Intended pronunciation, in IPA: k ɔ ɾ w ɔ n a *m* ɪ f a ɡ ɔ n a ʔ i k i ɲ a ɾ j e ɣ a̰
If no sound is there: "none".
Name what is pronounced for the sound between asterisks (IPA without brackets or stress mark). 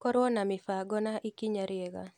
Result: m